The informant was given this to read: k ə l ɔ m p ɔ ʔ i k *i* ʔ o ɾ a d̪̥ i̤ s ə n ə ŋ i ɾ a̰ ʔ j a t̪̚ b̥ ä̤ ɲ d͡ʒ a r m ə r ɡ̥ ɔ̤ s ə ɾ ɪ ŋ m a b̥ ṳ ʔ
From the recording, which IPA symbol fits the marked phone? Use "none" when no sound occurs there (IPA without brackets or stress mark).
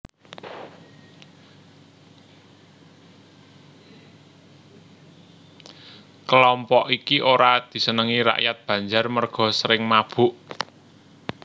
i